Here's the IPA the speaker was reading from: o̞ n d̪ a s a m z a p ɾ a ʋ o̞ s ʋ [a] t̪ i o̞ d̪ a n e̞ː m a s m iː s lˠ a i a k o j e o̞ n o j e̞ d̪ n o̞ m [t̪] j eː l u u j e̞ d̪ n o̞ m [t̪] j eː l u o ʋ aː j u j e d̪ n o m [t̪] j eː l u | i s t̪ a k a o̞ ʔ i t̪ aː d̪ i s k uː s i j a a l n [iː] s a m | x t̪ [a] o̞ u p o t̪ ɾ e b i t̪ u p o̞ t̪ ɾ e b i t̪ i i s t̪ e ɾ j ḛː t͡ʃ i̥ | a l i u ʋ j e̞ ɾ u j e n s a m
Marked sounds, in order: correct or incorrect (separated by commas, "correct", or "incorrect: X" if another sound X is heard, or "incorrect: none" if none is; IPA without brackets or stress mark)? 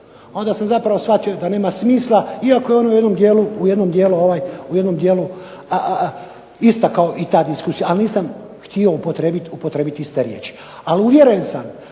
correct, incorrect: d̪, incorrect: d̪, incorrect: d̪, correct, incorrect: i